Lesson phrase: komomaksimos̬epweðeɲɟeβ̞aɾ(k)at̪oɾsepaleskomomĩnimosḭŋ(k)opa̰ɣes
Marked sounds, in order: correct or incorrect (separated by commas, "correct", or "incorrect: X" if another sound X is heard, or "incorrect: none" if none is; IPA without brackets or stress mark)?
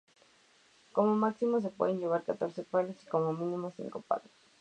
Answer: correct, correct